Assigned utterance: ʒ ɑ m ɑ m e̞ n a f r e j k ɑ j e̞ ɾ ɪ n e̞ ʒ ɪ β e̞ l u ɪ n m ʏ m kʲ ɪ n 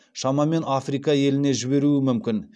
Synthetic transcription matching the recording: ʃ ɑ m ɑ m e̞ n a f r i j k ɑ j e̞ l ɪ n e̞ ʒ ɪ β e̞ ɾ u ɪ m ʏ m kʲ ɪ n